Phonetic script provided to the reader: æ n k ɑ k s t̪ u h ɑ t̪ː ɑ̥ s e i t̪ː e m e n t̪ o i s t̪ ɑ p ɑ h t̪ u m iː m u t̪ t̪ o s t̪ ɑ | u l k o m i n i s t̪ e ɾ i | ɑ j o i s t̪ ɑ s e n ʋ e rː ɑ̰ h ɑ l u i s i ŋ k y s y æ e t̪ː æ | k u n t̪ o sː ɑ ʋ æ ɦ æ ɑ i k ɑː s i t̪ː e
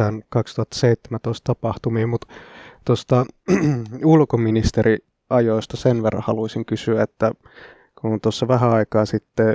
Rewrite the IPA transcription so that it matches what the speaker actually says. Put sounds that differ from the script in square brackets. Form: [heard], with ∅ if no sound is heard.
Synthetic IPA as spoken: æ n k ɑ k s t̪ u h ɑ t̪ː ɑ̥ s e i t̪ː e m [æ] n t̪ o i s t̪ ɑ p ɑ h t̪ u m iː m u t̪ t̪ o s t̪ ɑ | u l k o m i n i s t̪ e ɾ i | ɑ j o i s t̪ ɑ s e n ʋ e rː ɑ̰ h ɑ l u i s i ŋ k y s y æ e t̪ː æ | k u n t̪ o sː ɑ ʋ æ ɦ æ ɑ i k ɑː s i t̪ː e